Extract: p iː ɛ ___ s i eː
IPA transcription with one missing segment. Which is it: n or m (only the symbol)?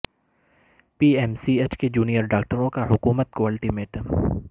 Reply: m